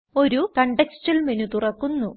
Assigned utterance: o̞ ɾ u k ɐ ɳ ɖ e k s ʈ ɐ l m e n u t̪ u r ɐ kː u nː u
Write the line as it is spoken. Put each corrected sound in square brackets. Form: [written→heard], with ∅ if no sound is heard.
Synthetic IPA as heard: o̞ ɾ u k ɐ ɳ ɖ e k s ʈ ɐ l m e n u t̪ u r ɐ kː u nː u